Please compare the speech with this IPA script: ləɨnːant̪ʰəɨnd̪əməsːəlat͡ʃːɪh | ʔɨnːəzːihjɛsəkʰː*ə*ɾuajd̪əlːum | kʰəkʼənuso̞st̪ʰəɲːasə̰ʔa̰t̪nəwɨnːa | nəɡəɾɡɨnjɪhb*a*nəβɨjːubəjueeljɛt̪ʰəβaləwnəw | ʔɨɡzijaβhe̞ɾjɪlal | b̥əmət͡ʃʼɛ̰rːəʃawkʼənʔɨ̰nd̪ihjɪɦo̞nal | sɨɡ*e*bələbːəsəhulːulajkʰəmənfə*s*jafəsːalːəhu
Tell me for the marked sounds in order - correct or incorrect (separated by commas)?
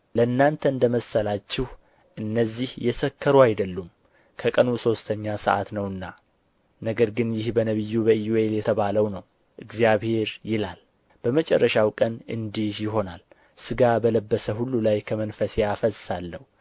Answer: correct, incorrect, incorrect, correct